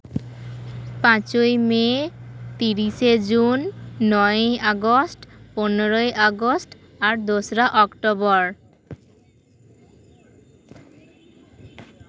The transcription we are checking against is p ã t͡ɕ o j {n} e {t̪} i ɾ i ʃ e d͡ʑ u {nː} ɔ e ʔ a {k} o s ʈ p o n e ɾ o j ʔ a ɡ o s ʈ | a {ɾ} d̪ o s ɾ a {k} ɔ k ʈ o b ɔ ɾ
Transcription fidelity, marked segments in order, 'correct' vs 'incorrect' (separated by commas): incorrect, correct, correct, incorrect, correct, incorrect